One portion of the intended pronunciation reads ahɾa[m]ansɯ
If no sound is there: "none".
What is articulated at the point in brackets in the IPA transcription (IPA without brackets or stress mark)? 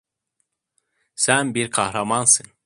m